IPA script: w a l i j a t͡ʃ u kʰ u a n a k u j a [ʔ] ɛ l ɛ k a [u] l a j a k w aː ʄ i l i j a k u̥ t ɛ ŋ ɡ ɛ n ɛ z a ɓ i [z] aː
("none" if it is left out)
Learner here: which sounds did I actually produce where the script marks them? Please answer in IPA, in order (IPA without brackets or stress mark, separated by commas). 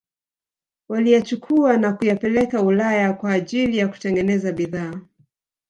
p, u, ð